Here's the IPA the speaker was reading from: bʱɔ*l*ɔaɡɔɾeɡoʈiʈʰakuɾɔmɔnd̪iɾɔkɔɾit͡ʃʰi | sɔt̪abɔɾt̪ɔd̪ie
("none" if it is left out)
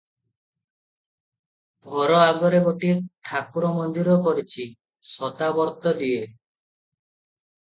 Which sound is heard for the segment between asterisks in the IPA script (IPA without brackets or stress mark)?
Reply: ɾ